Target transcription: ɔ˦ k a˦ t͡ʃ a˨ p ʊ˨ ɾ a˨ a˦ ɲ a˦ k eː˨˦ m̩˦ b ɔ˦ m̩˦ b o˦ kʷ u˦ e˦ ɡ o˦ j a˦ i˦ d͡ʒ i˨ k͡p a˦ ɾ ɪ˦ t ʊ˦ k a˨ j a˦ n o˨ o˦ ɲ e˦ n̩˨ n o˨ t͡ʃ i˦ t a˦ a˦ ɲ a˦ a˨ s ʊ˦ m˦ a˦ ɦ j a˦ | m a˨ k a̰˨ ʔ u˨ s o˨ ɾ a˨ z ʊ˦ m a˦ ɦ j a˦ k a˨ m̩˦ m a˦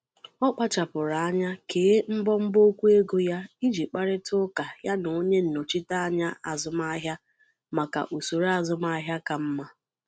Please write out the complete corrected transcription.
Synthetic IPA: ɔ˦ k͡p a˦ t͡ʃ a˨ p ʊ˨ ɾ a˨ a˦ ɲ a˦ k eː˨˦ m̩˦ b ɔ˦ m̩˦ b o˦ kʷ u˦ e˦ ɡ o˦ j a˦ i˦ d͡ʒ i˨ k͡p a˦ ɾ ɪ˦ t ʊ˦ k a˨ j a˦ n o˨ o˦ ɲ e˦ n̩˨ n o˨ t͡ʃ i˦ t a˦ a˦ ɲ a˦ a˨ z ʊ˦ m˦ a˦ ɦ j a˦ | m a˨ k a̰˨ ʔ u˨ s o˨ ɾ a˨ z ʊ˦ m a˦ ɦ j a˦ k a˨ m̩˦ m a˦

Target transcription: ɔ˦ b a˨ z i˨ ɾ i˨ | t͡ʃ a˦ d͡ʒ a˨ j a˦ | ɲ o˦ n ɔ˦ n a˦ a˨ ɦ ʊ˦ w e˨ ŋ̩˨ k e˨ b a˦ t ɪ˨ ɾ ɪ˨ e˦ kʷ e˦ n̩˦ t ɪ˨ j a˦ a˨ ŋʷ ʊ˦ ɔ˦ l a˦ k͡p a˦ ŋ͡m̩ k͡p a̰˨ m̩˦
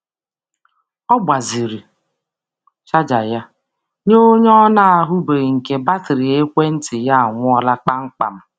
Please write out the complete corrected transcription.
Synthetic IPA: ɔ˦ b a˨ z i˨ ɾ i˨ | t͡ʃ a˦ d͡ʒ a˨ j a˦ | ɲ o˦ ɲ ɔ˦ n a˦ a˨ ɦ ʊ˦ b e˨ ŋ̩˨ k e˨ b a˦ t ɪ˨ ɾ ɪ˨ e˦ kʷ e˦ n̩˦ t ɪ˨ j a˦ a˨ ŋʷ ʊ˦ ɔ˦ l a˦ k͡p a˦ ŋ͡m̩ k͡p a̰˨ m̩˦

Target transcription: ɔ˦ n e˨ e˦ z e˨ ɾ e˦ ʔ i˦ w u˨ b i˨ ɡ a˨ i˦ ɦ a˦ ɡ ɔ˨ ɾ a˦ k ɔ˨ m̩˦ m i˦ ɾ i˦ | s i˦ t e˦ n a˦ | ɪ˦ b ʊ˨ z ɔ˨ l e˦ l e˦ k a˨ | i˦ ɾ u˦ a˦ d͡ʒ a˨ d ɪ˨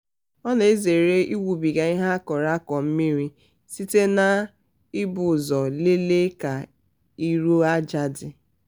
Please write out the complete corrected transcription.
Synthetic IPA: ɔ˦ n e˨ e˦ z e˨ ɾ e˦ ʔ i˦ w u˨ b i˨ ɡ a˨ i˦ ɦ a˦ k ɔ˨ ɾ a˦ k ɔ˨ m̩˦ m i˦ ɾ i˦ | s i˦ t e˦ n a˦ | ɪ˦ b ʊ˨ z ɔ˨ l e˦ l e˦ k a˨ | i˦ ɾ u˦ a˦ d͡ʒ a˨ d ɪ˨

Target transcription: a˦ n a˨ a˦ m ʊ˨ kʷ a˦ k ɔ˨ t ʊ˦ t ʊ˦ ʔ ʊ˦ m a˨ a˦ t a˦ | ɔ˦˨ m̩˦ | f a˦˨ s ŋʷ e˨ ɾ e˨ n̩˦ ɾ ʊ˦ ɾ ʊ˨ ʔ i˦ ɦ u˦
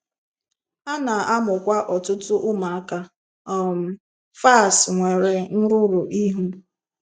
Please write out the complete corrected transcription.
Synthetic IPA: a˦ n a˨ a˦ m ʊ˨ kʷ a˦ ʔ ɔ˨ t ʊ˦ t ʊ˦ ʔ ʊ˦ m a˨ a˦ k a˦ | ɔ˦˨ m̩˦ | f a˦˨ s ŋʷ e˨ ɾ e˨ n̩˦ ɾ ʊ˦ ɾ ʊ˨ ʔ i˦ ɦ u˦

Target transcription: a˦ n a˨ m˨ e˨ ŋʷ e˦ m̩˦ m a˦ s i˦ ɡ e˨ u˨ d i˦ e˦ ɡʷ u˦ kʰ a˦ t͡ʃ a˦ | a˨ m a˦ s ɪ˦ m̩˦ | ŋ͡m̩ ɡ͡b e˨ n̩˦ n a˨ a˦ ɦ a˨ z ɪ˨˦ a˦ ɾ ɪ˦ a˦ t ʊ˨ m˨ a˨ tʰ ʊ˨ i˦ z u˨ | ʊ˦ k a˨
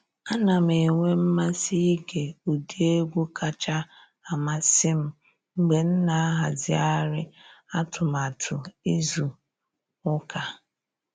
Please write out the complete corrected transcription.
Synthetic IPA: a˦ n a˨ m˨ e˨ ŋʷ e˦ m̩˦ m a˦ s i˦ ɡ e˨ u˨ d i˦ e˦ ɡʷ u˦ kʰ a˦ t͡ʃ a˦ | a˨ m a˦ s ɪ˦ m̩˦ | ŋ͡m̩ ɡ͡b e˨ n̩˦ n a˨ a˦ ɦ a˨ z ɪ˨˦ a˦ ɾ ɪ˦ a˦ t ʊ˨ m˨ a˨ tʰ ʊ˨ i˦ z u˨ | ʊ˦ k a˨

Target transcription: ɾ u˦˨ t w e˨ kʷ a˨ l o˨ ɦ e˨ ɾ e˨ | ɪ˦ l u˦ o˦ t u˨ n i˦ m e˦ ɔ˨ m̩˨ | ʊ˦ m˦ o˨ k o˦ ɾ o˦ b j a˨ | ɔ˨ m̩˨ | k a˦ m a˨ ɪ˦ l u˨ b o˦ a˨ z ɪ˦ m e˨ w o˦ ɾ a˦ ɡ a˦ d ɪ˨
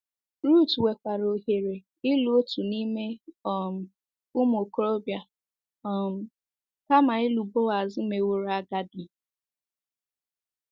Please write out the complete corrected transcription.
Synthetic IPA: ɾ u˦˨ t w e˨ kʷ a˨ ɾ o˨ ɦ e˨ ɾ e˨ | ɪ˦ l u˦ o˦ t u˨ n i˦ m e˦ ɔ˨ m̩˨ | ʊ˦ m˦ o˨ k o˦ ɾ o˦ b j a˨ | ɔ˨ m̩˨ | k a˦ m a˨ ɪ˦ l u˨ b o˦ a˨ z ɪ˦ m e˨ w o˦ ɾ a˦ ɡ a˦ d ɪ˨

